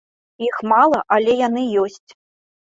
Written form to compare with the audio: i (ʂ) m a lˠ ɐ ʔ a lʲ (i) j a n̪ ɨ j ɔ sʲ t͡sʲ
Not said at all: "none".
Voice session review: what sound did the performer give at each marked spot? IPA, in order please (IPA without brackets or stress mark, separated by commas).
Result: x, ɛ